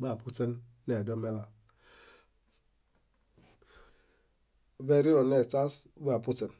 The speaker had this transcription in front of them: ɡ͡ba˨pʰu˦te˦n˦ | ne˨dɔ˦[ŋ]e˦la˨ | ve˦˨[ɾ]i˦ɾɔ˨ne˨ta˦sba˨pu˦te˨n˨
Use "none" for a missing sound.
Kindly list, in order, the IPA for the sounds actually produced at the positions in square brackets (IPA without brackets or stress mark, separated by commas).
m, ɾ